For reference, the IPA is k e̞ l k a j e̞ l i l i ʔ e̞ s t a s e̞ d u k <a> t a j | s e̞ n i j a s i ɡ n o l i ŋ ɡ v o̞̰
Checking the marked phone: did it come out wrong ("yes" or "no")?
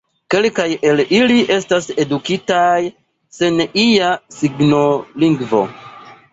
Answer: yes